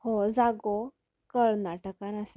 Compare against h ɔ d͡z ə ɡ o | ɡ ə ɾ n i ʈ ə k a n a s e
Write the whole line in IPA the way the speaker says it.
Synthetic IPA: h o d͡z a ɡ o | k ə ɭ n a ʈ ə k a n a s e